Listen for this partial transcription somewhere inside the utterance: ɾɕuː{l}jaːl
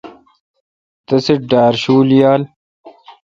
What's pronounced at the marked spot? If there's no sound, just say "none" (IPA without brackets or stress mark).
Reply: l